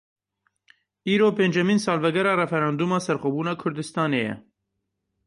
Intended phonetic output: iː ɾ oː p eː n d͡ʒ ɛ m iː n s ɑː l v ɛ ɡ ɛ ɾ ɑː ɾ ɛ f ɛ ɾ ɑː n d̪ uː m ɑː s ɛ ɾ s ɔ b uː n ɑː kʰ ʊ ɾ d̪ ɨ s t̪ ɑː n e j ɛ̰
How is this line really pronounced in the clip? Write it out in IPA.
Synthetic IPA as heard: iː ɾ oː p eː n d͡ʒ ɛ m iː n s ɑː l v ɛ ɡ ɛ ɾ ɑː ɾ ɛ f ɛ ɾ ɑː n d̪ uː m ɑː s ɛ ɾ x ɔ b uː n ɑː kʰ ʊ ɾ d̪ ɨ s t̪ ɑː n e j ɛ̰